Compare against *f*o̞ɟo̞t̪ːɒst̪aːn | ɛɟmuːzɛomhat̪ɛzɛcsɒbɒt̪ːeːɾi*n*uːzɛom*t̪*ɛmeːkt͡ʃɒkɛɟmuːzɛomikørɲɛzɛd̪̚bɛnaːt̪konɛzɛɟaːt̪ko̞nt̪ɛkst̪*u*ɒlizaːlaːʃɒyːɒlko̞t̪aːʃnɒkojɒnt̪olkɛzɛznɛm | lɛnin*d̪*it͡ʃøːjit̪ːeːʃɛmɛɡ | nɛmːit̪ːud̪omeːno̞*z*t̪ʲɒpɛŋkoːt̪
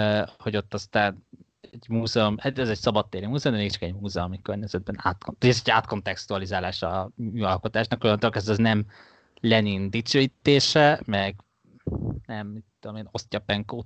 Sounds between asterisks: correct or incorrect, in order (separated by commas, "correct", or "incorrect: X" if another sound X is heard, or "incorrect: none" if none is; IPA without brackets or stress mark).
incorrect: h, incorrect: m, incorrect: d̪, correct, correct, incorrect: s